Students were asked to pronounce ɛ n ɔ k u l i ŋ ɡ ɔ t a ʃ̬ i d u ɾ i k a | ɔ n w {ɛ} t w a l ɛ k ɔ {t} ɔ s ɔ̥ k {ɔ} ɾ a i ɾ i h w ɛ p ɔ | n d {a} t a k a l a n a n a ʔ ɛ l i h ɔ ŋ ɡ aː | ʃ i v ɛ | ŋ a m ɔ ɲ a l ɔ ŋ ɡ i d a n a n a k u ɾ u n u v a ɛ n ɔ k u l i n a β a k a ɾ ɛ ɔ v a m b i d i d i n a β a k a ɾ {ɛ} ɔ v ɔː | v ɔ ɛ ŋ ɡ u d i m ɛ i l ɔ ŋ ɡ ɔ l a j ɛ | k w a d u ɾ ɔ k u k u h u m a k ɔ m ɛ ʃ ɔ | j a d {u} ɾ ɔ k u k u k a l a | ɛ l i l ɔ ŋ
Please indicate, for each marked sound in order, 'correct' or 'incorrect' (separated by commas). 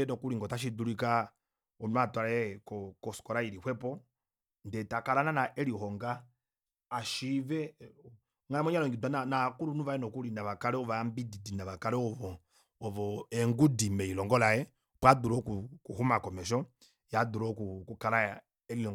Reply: incorrect, incorrect, correct, incorrect, correct, correct